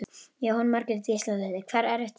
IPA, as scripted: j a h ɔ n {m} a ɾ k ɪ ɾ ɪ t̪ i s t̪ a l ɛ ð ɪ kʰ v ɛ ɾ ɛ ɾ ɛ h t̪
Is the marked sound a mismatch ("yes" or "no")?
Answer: no